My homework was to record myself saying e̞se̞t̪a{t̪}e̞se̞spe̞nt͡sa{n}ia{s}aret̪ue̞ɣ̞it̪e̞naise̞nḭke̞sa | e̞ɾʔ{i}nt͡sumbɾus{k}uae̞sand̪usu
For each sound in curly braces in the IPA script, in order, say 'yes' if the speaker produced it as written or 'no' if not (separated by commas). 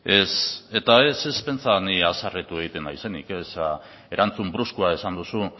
no, yes, yes, no, yes